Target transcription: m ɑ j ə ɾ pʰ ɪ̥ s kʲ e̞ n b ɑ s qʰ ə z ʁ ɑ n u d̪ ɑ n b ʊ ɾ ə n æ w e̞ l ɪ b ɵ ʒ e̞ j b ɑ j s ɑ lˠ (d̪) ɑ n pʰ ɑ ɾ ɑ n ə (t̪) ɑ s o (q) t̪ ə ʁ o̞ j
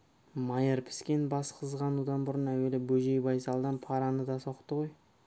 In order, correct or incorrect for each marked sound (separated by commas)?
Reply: correct, incorrect, correct